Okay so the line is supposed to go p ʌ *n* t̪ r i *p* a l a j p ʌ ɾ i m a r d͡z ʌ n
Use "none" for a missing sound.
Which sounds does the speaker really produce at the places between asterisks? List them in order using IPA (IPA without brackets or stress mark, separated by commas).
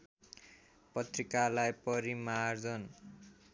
none, k